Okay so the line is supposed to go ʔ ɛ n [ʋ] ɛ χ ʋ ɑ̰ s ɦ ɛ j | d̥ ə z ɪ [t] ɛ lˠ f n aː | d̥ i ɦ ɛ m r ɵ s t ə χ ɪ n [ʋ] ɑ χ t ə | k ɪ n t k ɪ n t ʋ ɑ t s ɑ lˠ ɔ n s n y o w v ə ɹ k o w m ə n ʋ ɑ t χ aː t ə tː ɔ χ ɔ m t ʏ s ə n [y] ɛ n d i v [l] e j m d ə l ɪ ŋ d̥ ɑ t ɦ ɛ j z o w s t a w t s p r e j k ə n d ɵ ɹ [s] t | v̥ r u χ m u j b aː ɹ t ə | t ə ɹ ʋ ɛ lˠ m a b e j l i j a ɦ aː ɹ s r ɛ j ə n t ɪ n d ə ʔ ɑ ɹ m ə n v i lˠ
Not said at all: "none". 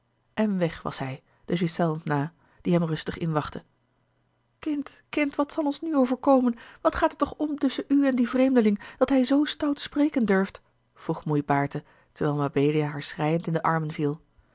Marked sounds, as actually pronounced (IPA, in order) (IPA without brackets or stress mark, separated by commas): ʋ, s, ʋ, y, r, f